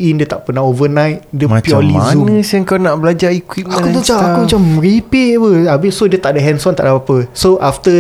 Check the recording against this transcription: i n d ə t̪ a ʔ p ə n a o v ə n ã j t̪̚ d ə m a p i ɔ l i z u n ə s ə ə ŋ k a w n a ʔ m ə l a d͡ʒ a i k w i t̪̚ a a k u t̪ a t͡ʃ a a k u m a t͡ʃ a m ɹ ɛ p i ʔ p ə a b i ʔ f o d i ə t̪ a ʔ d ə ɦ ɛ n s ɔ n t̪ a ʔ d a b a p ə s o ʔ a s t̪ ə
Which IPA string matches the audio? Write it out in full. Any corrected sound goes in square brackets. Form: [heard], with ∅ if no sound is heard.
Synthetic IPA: i n d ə t̪ a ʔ p ə n a o v ə n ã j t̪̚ d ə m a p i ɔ l i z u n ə s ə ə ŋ k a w n a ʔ [b] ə l a d͡ʒ a i k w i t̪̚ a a k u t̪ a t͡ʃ a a k u m a t͡ʃ a m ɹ [i] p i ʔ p ə a b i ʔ [s] o d i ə t̪ a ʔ d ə ɦ ɛ n s ɔ n t̪ a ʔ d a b a p ə s o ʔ a [f] t̪ ə